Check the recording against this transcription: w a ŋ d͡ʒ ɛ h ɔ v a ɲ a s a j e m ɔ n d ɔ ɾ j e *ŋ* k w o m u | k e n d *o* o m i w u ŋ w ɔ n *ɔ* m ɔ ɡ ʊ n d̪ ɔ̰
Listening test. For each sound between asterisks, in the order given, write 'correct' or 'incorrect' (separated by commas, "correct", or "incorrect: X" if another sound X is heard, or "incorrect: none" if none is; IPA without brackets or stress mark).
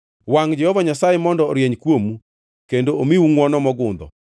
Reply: incorrect: ɲ, correct, correct